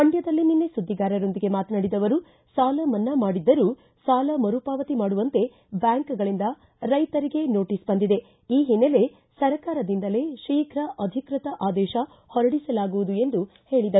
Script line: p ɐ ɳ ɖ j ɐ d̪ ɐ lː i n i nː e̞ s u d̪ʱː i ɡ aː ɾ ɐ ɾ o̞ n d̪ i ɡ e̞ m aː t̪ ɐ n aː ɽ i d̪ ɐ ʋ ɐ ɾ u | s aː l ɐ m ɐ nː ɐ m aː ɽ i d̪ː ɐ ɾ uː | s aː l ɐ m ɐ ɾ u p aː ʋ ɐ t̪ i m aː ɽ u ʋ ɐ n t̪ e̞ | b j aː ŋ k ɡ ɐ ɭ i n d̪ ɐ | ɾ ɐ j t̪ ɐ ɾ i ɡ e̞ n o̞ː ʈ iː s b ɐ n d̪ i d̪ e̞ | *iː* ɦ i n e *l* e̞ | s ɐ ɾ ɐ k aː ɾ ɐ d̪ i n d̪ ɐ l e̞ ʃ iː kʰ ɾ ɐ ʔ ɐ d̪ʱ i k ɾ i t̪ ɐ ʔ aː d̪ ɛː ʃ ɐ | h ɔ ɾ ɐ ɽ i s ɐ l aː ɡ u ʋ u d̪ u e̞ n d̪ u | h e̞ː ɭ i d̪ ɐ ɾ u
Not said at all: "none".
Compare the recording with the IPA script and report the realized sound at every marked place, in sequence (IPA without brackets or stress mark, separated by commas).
iː, l